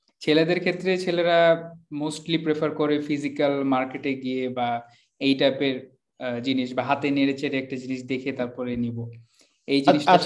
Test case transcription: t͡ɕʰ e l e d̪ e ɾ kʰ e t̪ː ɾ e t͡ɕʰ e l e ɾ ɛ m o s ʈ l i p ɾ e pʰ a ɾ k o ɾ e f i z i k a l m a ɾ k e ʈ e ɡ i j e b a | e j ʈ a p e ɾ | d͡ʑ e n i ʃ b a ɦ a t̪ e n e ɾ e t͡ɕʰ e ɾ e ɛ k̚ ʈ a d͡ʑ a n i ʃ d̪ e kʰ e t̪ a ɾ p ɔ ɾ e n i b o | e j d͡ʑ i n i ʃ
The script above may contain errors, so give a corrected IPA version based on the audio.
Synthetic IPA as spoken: t͡ɕʰ e l e d̪ e ɾ kʰ e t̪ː ɾ e t͡ɕʰ e l e ɾ a m o s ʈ l i p ɾ e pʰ a ɾ k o ɾ e f i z i k a l m a ɾ k e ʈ e ɡ i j e b a | e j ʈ a p e ɾ | d͡ʑ i n i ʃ b a ɦ a t̪ e n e ɾ e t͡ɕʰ e ɾ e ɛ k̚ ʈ a d͡ʑ i n i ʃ d̪ e kʰ e t̪ a ɾ p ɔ ɾ e n i b o | e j d͡ʑ i n i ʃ